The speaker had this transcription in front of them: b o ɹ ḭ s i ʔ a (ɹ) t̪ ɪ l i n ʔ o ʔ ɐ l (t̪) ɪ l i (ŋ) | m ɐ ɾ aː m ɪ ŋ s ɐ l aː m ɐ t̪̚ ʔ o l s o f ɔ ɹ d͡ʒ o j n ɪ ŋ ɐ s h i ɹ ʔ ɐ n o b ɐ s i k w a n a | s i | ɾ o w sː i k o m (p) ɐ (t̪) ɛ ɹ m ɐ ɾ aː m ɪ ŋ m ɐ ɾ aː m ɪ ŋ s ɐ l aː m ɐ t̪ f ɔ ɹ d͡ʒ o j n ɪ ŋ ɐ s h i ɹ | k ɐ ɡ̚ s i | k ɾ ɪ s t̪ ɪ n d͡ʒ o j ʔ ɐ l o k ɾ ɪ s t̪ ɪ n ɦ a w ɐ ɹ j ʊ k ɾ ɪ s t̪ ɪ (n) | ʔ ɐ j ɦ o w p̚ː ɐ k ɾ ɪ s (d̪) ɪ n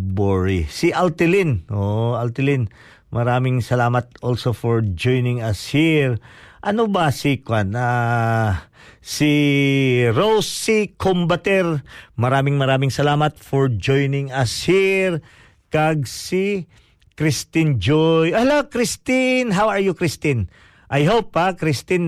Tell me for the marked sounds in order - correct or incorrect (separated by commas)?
incorrect, correct, incorrect, incorrect, correct, correct, incorrect